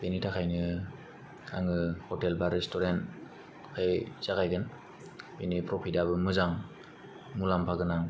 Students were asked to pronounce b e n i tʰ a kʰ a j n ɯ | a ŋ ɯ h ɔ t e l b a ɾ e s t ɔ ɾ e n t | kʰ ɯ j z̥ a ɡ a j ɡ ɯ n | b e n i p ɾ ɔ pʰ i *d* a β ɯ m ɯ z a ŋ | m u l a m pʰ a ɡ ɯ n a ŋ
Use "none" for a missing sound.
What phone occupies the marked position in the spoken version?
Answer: d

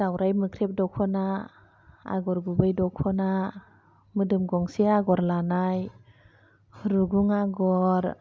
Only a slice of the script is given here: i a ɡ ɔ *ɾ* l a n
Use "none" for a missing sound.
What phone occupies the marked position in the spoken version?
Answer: ɾ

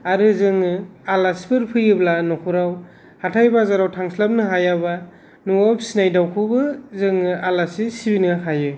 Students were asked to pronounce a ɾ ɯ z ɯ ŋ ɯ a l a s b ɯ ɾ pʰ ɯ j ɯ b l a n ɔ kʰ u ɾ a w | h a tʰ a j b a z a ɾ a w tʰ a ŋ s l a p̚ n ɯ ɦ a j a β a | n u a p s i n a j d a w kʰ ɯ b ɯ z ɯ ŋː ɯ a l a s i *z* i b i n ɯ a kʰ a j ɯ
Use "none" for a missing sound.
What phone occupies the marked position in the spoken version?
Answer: s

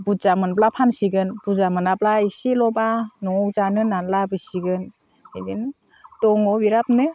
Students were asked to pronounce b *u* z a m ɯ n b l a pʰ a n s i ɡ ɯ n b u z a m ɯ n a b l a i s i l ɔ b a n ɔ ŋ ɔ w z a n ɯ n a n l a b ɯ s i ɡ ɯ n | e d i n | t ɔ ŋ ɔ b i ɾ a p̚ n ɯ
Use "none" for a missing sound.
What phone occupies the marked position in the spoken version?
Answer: u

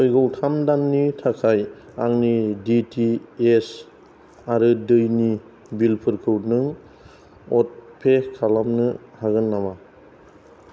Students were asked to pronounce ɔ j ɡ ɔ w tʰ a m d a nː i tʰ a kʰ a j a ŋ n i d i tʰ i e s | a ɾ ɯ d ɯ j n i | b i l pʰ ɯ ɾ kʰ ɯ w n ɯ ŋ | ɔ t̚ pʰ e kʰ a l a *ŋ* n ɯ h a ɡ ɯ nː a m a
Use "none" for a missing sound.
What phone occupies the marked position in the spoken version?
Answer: m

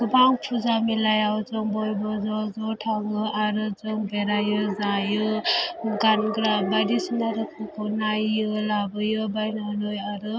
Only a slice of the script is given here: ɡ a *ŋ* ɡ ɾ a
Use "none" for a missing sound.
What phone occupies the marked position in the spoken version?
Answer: n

